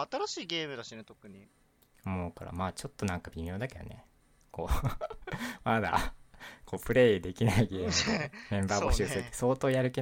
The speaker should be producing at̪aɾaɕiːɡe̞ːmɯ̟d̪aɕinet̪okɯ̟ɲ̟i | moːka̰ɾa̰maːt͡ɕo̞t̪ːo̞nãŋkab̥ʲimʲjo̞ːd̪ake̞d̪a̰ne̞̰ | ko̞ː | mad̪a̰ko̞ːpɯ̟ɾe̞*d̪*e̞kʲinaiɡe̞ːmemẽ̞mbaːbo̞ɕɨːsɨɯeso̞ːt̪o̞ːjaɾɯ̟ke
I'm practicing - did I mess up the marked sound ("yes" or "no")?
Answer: no